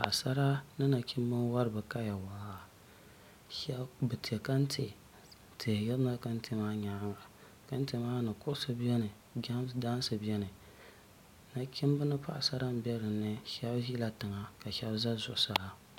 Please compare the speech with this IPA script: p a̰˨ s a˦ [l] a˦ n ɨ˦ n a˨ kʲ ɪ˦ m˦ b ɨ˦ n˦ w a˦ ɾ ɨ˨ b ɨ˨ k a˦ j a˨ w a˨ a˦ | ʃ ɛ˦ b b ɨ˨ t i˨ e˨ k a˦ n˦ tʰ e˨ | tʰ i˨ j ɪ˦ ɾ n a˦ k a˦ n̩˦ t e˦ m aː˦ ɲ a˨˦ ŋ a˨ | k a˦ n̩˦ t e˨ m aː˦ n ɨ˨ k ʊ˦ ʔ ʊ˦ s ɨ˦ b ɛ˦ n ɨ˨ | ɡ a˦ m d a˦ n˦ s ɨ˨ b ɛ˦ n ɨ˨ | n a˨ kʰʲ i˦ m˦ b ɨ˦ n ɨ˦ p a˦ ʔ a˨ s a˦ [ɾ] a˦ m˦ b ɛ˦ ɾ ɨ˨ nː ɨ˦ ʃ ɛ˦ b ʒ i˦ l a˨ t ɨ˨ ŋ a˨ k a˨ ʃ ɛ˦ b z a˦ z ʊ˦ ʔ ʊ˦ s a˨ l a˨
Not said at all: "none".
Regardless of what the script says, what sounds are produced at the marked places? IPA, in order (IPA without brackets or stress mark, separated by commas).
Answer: ɾ, ɾ